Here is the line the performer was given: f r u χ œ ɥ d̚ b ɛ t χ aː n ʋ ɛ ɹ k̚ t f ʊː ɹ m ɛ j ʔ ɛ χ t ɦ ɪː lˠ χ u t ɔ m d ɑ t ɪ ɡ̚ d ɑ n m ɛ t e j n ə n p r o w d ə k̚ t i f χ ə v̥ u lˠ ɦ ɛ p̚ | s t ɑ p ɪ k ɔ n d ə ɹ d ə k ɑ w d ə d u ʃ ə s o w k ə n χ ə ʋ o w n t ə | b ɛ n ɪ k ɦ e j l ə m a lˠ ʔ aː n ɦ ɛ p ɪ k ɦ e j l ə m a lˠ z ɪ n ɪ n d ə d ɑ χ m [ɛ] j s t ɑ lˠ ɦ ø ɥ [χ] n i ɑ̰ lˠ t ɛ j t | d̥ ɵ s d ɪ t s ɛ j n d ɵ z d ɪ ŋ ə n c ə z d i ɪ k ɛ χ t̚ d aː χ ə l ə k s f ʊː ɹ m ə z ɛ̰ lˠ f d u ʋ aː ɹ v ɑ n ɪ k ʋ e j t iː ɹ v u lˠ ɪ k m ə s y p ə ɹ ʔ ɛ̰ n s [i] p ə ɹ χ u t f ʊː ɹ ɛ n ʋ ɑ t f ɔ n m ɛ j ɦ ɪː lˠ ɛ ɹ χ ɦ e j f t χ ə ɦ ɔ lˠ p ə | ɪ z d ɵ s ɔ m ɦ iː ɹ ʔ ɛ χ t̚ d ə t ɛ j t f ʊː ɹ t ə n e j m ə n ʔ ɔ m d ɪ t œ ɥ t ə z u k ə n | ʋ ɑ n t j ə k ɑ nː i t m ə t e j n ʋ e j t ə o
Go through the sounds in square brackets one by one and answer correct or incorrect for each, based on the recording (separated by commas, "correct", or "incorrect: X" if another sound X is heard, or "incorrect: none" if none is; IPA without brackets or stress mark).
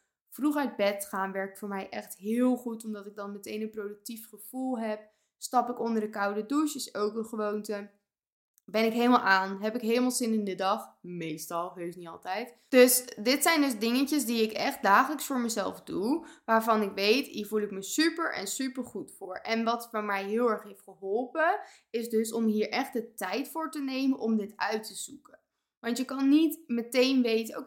incorrect: e, incorrect: s, incorrect: y